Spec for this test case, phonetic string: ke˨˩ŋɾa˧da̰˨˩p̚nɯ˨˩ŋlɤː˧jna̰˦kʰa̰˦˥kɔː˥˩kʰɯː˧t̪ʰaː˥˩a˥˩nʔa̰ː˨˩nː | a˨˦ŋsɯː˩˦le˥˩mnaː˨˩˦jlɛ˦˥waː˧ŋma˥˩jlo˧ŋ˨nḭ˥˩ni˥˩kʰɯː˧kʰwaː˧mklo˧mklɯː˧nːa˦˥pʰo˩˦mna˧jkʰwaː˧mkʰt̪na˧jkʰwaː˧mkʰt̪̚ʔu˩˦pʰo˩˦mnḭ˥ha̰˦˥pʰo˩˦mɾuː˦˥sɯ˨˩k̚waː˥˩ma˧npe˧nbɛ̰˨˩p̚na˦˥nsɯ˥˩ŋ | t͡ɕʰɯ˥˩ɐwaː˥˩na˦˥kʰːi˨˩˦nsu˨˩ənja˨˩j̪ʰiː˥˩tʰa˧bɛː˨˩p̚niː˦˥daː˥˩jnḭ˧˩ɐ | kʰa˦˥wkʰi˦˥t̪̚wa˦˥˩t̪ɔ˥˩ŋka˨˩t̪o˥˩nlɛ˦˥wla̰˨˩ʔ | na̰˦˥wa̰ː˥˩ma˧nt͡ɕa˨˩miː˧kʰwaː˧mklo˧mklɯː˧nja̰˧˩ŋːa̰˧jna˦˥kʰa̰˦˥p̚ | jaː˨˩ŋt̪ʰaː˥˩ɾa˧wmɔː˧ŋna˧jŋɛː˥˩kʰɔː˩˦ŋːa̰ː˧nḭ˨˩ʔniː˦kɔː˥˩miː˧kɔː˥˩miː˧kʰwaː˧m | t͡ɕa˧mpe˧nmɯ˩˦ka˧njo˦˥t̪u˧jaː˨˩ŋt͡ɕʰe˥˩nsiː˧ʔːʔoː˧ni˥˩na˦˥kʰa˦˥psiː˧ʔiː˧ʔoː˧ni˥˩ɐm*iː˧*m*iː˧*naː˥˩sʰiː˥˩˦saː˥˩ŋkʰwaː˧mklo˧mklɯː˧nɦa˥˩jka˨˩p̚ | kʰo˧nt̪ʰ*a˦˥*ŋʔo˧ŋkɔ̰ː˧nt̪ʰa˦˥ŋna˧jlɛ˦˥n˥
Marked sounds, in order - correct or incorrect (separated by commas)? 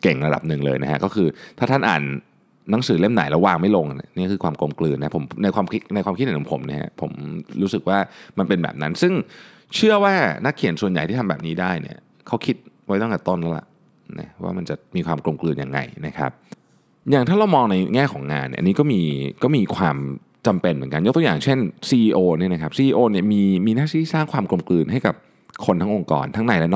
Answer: correct, correct, correct